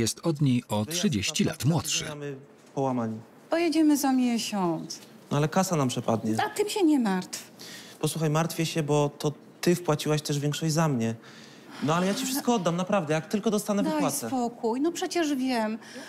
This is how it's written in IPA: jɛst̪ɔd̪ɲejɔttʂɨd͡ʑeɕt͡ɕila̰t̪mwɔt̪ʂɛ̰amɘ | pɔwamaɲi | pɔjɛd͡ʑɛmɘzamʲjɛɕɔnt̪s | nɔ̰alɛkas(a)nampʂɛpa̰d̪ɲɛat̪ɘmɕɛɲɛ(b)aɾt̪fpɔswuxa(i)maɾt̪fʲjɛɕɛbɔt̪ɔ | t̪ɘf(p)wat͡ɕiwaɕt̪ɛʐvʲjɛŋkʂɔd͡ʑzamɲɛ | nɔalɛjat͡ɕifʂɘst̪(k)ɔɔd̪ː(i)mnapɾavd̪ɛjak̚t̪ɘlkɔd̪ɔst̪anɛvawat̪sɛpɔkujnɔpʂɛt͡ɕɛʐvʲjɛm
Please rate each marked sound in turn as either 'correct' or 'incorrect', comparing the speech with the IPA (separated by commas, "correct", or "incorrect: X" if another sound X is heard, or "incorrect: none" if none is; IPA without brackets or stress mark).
correct, incorrect: m, incorrect: j, correct, correct, incorrect: a